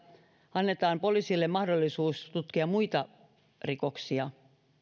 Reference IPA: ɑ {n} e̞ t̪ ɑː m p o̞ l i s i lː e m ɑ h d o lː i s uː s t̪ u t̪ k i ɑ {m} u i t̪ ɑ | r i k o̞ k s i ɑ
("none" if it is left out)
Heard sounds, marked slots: nː, m

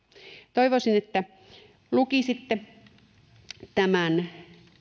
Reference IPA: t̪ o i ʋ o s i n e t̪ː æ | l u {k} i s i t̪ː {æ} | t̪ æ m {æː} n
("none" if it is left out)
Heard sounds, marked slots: k, e, æ

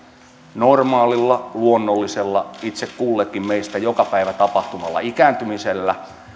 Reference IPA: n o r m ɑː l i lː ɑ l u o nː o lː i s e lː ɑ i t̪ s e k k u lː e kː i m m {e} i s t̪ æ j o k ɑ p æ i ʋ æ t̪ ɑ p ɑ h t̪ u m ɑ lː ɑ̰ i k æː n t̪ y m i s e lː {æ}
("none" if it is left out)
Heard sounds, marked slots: e, æ

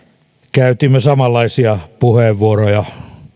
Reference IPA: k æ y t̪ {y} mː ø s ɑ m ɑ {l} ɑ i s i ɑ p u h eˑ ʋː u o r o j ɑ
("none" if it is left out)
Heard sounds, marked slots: i, lː

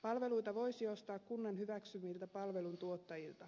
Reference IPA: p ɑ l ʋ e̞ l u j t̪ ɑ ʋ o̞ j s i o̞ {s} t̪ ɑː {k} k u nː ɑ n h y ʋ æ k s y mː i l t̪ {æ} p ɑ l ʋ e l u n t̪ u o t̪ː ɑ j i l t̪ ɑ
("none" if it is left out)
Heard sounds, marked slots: s, k, æ

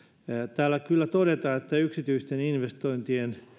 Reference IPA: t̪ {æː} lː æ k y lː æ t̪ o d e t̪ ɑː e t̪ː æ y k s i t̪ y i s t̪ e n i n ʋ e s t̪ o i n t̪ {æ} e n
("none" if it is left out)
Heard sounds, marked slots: æː, i

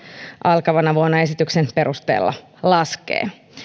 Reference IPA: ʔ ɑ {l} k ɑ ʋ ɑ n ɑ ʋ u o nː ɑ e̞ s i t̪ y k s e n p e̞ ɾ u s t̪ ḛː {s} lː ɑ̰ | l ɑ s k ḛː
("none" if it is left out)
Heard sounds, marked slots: l, none

